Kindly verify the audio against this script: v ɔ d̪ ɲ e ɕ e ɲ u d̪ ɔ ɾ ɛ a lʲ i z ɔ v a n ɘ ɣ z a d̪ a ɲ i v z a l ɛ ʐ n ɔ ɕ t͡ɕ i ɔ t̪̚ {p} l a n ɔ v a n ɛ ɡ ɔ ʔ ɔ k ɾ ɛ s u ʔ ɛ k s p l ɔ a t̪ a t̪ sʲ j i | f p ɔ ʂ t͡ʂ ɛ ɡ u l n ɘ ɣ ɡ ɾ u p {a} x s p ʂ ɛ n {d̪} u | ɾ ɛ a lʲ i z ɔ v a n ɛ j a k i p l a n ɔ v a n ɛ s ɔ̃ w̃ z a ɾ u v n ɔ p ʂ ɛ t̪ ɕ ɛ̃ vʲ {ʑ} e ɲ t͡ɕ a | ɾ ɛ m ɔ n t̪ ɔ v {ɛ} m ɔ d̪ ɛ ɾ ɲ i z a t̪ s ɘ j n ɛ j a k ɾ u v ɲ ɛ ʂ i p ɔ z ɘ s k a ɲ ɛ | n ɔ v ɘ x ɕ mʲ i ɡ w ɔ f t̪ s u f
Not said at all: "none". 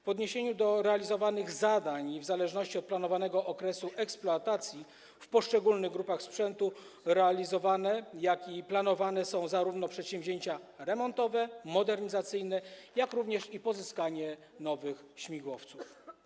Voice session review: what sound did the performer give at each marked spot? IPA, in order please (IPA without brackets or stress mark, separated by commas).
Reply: p, a, t̪, ʑ, ɛ